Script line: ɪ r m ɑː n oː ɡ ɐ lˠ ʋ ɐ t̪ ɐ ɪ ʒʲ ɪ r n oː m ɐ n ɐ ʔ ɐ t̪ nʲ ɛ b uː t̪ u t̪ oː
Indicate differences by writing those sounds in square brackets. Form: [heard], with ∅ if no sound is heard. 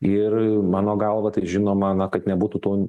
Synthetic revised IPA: ɪ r m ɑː n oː ɡ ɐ lˠ ʋ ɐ t̪ ɐ ɪ ʒʲ ɪ [∅] n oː m ɐ n ɐ [k] ɐ t̪ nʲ ɛ b uː t̪ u t̪ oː